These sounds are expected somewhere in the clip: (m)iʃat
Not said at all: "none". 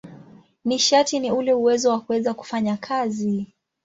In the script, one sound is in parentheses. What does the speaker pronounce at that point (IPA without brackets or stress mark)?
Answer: n